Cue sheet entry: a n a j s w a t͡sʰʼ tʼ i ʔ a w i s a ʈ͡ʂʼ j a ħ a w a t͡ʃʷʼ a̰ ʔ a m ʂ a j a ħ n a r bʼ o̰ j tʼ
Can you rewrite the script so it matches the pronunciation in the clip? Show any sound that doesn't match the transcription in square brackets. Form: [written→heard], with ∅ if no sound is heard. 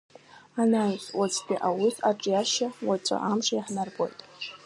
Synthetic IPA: a n a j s w a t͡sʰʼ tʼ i ʔ a w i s a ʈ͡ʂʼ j a [ħ→ʃ] a w a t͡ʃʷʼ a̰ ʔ a m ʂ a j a ħ n a r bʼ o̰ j tʼ

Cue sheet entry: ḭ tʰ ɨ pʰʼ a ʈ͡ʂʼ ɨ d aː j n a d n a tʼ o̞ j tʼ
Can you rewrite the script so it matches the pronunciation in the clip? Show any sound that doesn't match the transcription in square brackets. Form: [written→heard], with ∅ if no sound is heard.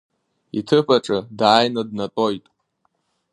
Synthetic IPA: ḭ tʰ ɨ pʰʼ a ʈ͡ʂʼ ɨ d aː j n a d n a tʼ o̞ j tʼ

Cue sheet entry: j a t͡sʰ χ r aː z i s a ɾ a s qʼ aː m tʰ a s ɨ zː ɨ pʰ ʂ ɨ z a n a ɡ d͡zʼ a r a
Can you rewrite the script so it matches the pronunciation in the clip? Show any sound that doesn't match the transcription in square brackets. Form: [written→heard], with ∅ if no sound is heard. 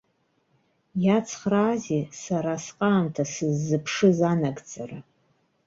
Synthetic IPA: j a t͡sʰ χ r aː z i s a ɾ a s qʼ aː m tʰ a s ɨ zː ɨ pʰ ʂ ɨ z a n a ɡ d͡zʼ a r a

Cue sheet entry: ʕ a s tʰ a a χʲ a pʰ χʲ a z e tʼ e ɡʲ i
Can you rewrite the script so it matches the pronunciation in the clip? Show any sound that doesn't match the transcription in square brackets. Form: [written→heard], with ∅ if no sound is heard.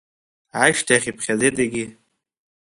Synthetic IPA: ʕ a [s→ʃ] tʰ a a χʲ [a→i] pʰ χʲ a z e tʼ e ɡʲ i

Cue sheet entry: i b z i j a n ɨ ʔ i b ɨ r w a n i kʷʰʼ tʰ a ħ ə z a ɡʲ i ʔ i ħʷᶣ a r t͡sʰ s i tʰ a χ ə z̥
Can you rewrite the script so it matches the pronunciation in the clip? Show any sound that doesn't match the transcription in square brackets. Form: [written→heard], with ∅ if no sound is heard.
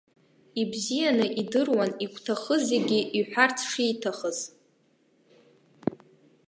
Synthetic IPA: i b z i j a n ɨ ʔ i [b→d] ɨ r w a n i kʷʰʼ tʰ a [ħ→χ] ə z [a→e] ɡʲ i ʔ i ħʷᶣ a r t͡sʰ [s→ʂ] i tʰ a χ ə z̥

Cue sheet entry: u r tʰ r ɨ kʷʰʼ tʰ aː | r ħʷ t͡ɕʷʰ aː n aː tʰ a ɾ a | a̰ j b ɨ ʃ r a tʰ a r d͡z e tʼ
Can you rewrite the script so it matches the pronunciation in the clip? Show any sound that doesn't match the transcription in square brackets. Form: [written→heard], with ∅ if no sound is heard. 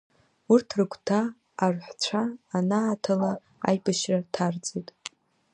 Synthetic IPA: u r tʰ r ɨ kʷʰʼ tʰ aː | r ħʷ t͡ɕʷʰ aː n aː tʰ a [ɾ→l] a | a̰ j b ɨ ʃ r a tʰ a r d͡z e tʼ

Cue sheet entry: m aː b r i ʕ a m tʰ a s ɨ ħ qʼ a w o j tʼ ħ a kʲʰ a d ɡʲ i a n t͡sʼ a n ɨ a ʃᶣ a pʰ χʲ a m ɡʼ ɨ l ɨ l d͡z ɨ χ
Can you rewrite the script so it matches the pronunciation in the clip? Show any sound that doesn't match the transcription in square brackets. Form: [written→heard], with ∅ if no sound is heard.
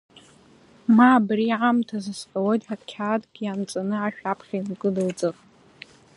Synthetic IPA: m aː b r i ʕ a m tʰ a [s→z] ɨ [ħ→s] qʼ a w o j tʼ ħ a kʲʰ a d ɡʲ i a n t͡sʼ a n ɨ a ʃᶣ a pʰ χʲ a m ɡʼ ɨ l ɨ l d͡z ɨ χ

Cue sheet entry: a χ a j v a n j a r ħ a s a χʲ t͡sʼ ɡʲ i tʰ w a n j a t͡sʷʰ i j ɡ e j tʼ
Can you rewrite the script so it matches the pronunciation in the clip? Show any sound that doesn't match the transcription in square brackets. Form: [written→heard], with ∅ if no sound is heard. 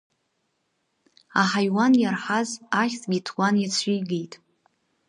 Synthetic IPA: a [χ→ħ] a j [v→w] a n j a r ħ a [s→z] a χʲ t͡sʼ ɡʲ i tʰ w a n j a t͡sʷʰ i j ɡ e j tʼ

